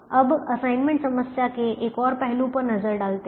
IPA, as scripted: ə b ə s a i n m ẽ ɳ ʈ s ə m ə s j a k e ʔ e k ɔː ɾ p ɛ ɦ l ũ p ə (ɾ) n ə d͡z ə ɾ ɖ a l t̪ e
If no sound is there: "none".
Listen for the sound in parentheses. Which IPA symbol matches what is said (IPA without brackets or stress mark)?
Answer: ɾ